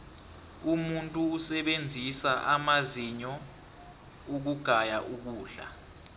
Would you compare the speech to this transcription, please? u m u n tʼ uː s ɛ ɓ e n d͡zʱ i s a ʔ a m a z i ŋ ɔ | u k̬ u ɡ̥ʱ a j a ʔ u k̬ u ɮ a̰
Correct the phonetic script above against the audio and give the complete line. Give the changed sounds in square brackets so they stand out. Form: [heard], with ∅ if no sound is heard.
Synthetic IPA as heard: u m u n tʼ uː s ɛ ɓ e n d͡zʱ i s a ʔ a m a z i [ɲ] ɔ | u k̬ u ɡ̥ʱ a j a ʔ u k̬ [uː] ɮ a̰